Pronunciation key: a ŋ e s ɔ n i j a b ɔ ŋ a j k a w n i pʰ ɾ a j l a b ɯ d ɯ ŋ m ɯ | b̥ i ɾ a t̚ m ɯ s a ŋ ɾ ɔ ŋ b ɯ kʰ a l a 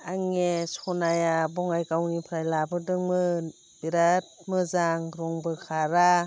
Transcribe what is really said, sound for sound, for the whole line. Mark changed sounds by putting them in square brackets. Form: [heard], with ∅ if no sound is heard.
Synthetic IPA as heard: a ŋ e s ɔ n [a] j a b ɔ ŋ a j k a w n i pʰ ɾ a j l a b ɯ d ɯ ŋ m ɯ | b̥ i ɾ a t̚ m ɯ [z] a ŋ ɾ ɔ ŋ b ɯ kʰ a [ɾ] a